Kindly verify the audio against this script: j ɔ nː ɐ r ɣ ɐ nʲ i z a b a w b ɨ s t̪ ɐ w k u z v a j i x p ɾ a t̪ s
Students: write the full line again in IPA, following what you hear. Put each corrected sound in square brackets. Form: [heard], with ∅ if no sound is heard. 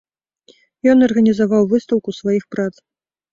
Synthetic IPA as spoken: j ɔ [n] ɐ r ɣ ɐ nʲ i z a [v] a w [v] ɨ s t̪ ɐ w k u [s] v a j i x p ɾ a t̪ s